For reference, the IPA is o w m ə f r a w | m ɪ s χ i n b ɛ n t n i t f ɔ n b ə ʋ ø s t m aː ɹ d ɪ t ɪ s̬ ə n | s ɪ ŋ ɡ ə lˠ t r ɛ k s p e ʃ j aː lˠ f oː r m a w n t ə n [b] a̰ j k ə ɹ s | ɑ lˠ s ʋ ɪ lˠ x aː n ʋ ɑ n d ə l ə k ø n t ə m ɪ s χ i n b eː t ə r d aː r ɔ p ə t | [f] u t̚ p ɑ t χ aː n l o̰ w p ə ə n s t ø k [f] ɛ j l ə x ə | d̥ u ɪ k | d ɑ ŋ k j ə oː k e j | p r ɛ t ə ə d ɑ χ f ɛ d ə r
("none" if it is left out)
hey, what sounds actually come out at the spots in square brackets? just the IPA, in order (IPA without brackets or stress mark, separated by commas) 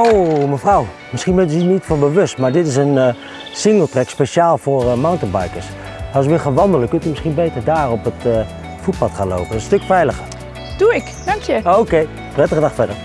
b, f, f